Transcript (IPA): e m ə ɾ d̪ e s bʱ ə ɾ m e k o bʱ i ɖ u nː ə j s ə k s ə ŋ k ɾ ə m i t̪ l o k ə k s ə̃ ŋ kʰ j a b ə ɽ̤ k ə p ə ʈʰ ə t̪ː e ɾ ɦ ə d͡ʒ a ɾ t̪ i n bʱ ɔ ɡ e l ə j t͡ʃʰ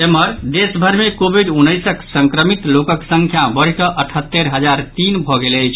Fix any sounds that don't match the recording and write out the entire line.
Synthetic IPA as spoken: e m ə ɾ d̪ e s bʱ ə ɾ m e k o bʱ i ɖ u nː ə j s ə k s ə ŋ k ɾ ə m i t̪ l o k ə k s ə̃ ŋ kʰ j a b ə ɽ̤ k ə ʔ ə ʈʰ ə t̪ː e ɾ ɦ ə d͡ʒ a ɾ t̪ i n bʱ ɔ ɡ e l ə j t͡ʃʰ

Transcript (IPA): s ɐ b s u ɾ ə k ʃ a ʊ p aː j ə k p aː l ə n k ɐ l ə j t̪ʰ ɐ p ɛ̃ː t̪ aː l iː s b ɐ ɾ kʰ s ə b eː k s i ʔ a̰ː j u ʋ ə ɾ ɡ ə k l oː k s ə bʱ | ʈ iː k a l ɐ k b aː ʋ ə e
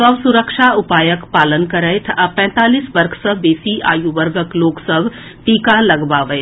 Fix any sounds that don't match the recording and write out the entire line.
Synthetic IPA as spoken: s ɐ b s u ɾ ə k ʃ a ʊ p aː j ə k p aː l ə n k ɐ ɾ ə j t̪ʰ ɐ p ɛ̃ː t̪ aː l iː s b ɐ ɾ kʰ s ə b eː s i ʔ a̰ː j u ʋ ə ɾ ɡ ə k l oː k s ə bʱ | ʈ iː k a l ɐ ɡ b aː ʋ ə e

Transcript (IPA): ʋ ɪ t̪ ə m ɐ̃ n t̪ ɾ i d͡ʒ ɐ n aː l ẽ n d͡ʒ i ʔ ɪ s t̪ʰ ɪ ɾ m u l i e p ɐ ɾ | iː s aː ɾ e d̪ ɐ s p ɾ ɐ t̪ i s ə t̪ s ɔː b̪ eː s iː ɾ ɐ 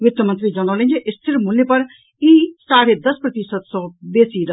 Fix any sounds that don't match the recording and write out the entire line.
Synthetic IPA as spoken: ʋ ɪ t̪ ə m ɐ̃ n t̪ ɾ i d͡ʒ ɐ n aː l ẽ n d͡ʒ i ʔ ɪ s t̪ʰ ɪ ɾ m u l j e p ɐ ɾ | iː s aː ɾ e d̪ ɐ s p ɾ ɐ t̪ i s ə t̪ s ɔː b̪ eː s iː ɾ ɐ

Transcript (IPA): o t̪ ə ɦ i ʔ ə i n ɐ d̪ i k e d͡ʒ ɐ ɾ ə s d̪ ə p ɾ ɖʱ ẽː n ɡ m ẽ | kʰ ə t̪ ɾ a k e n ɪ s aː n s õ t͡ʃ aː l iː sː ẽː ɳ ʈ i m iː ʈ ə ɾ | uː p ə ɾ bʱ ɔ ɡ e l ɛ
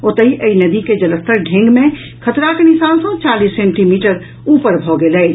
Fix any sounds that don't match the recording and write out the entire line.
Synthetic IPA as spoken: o t̪ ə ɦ i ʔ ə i n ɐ d̪ i k e d͡ʒ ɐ l ə s t̪ ə ɾ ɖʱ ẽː ŋ ɡ m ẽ | kʰ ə t̪ ɾ a k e n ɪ s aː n s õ t͡ʃ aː l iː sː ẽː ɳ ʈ i m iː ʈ ə ɾ | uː p ə ɾ bʱ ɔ ɡ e l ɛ

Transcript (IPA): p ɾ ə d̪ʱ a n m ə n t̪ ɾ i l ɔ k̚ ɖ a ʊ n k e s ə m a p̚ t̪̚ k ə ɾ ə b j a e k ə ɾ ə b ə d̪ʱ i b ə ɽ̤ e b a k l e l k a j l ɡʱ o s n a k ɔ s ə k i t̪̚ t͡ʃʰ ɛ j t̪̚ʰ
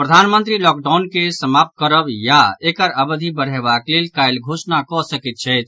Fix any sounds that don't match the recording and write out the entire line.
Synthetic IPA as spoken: p ɾ ə d̪ʱ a n m ə n t̪ ɾ i l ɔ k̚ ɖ a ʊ n k e s ə m a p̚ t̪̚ k ə ɾ ə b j a e k ə ɾ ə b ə d̪ʱ i b ə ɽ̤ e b a k l e l k a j l ɡʱ o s n a k ɔ s ə k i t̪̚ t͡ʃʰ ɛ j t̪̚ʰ

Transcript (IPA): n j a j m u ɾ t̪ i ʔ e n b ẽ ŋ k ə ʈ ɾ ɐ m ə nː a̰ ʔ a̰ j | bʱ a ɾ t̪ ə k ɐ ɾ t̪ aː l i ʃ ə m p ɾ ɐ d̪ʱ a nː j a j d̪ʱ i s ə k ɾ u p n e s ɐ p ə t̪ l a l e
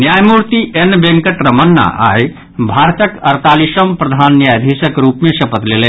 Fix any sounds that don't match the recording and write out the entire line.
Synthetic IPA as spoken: n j a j m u ɾ t̪ i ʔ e n b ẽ ŋ k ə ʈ ɾ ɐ m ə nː a̰ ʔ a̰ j | bʱ a ɾ t̪ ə k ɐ ɾ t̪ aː l i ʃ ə m p ɾ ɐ d̪ʱ a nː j a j d̪ʱ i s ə k ɾ u p m e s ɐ p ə t̪ l e l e

